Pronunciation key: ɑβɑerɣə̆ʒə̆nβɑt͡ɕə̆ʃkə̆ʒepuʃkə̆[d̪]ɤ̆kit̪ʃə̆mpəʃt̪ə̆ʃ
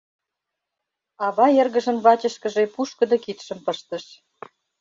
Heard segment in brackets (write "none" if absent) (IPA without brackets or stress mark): d̪